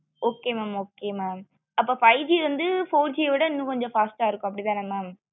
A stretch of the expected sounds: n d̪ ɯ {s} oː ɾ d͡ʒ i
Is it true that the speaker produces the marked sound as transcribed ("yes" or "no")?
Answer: no